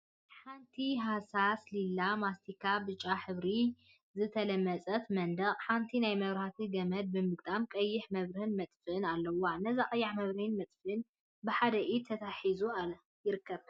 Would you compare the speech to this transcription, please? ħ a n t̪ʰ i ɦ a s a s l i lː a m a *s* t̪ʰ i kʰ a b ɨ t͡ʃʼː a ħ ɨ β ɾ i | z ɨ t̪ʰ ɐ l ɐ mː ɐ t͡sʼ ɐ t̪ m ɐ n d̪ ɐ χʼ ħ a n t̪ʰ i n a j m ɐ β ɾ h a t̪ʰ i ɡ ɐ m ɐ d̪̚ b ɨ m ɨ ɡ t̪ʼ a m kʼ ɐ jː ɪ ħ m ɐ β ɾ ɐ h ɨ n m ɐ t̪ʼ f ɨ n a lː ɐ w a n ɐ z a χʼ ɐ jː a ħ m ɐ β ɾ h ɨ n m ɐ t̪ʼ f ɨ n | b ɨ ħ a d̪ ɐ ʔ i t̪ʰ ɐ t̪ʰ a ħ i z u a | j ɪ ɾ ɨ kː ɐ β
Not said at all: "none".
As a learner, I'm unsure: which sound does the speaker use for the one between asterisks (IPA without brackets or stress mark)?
s